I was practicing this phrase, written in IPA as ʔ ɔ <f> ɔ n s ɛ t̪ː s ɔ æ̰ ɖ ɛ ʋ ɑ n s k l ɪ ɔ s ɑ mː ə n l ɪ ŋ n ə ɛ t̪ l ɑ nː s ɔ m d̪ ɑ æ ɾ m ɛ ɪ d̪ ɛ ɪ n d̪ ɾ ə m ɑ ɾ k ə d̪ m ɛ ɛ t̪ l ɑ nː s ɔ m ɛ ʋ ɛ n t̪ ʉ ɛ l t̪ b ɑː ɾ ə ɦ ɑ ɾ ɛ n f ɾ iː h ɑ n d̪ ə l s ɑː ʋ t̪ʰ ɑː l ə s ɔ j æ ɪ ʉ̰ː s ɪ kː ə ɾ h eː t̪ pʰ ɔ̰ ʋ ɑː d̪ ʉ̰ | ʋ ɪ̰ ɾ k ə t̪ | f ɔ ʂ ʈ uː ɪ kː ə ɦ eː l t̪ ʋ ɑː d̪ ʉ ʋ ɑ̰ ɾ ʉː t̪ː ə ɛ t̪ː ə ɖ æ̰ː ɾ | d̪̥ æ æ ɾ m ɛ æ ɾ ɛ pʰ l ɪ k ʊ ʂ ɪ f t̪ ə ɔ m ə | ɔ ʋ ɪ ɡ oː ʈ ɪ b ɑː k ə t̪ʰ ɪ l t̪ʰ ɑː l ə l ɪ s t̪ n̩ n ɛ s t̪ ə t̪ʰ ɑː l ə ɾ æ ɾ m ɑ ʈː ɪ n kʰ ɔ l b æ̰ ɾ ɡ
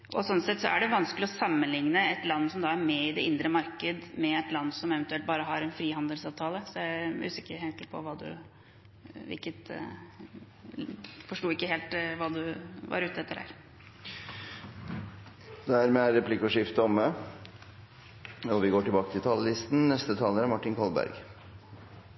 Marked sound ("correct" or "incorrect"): incorrect